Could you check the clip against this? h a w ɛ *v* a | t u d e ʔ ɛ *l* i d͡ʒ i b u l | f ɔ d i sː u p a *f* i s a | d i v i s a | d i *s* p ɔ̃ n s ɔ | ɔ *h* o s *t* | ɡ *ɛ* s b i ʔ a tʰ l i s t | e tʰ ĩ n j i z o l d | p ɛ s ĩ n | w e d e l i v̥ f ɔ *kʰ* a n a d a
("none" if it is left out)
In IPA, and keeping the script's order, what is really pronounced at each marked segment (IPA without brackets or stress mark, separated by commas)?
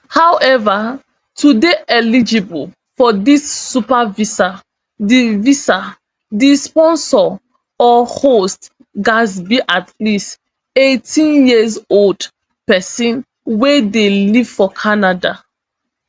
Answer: v, l, v, s, h, t, a, kʰ